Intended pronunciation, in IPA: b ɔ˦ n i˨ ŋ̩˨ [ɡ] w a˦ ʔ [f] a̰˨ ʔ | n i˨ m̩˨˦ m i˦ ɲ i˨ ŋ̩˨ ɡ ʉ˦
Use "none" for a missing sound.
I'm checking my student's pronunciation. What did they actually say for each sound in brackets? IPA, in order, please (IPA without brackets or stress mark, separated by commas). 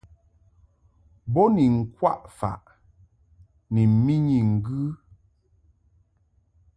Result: k, f